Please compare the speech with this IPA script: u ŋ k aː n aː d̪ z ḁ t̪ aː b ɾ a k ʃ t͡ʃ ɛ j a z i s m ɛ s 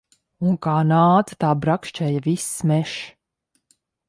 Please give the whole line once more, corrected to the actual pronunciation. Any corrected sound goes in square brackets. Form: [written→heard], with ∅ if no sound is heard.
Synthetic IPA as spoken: u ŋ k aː n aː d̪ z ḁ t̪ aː b ɾ a k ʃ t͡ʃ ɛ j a [z→v] i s m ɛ [s→ʃ]